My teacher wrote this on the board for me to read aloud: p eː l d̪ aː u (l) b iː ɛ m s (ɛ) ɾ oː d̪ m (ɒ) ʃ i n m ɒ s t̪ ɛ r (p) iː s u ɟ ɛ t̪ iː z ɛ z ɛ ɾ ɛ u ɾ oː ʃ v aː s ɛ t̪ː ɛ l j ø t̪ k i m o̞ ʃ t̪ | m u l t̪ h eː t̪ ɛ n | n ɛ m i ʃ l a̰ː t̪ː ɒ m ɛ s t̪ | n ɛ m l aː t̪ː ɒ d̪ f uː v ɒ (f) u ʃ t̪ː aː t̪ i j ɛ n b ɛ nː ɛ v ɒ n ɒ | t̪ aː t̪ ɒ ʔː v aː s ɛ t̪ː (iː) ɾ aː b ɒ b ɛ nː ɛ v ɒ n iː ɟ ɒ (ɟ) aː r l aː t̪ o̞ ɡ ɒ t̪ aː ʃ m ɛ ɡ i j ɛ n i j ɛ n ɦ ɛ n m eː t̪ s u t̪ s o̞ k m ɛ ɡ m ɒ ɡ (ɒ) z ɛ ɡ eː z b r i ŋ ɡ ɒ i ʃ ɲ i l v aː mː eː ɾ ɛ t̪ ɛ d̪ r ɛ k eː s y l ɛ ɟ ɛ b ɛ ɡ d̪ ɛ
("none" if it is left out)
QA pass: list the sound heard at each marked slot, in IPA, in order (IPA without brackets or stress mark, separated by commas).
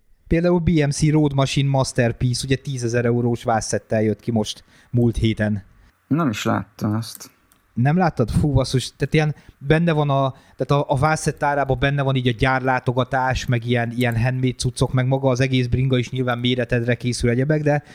l, i, ɒ, p, s, aː, ɟ, ɒː